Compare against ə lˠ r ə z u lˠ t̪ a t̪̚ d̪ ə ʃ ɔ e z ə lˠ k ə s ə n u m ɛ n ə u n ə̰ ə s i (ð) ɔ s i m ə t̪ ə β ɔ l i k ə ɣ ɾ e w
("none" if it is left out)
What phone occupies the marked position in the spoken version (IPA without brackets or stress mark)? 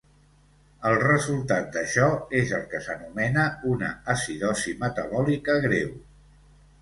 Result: ð